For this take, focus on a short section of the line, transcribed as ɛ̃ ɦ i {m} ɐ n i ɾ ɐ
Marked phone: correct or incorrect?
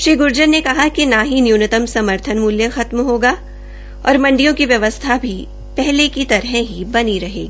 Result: incorrect